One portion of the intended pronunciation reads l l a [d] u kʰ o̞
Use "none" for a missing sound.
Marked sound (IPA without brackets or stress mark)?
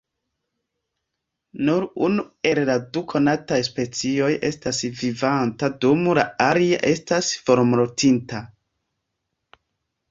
d